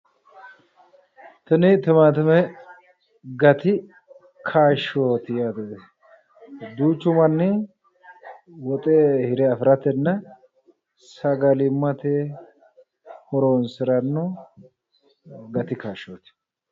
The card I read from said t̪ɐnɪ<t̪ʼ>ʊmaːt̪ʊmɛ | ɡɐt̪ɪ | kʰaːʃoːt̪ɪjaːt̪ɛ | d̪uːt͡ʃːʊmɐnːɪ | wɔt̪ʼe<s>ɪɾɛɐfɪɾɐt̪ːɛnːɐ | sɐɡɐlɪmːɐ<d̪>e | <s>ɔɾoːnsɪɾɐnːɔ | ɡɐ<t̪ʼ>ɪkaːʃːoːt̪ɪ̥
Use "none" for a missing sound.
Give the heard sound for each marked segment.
t̪, h, t̪, h, t̪

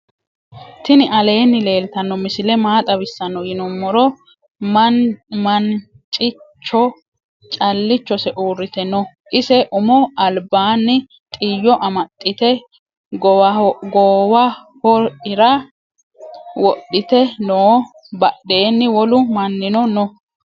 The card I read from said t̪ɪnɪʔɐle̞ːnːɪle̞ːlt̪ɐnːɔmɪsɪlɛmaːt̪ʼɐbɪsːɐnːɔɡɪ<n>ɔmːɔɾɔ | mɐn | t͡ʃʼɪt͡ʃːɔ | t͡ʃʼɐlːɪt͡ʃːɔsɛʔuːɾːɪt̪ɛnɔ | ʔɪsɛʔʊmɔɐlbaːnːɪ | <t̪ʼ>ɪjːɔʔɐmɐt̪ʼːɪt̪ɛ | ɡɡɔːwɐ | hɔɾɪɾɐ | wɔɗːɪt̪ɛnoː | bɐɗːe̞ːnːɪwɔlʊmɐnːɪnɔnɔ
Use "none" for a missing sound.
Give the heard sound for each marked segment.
n, t̪ʼ

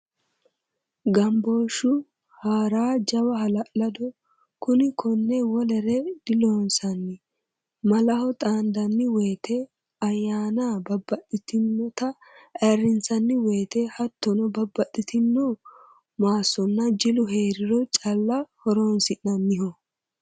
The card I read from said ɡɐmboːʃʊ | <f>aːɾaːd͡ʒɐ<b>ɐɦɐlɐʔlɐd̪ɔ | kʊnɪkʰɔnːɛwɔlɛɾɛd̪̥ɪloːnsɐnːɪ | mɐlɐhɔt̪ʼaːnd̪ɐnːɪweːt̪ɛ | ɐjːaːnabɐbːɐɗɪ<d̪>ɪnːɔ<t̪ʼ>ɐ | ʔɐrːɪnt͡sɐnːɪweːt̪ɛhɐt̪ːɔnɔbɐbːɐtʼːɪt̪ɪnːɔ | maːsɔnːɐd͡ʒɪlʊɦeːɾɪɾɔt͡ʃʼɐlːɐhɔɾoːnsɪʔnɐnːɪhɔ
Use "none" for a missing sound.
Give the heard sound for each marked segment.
h, w, t̪, t̪

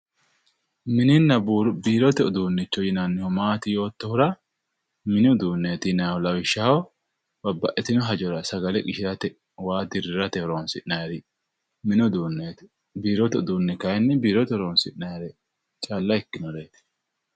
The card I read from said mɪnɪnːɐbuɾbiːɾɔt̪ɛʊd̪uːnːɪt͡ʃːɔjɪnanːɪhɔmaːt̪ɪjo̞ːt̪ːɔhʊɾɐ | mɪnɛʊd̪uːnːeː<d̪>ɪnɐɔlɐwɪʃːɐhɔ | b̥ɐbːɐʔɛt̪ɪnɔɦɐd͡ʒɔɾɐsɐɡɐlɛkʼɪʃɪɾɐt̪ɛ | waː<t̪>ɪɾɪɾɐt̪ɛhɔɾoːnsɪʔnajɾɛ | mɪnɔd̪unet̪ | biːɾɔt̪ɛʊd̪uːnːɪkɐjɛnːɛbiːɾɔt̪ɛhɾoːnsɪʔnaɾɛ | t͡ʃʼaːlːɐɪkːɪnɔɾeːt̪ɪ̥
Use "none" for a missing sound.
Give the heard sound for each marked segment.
t̪, d̪

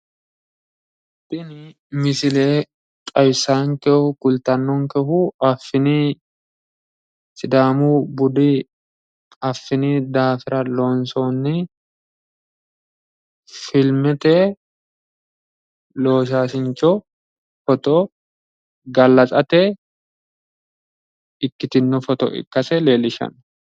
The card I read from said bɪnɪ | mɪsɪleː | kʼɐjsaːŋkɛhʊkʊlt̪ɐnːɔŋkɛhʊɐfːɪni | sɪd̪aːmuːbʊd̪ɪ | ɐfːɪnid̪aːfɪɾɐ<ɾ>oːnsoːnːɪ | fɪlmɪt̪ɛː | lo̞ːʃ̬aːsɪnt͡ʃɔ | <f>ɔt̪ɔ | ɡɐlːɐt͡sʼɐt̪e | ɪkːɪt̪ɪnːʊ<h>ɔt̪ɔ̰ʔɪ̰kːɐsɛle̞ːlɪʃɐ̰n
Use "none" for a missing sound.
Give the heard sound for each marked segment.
l, f, f

